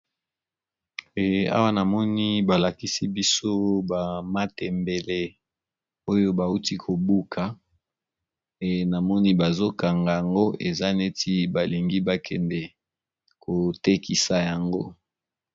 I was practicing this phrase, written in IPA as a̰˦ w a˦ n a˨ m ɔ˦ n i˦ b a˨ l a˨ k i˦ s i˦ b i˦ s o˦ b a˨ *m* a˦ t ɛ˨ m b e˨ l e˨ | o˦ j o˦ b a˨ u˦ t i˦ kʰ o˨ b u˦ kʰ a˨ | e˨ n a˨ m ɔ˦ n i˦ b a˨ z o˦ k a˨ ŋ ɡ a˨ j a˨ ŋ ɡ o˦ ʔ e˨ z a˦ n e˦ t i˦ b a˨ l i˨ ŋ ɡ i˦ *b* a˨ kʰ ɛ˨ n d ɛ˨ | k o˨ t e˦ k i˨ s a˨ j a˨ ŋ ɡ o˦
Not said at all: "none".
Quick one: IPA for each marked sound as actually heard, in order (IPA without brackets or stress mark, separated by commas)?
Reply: m, b